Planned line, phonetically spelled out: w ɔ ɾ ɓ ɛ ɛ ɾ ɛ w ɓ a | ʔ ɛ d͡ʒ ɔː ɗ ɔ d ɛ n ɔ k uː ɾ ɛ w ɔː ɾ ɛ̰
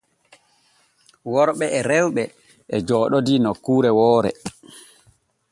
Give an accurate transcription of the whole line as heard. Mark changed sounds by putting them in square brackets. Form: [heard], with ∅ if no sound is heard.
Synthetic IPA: w ɔ ɾ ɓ ɛ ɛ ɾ ɛ w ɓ [ɛ] | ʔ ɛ d͡ʒ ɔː ɗ ɔ d [i] n ɔ k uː ɾ ɛ w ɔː ɾ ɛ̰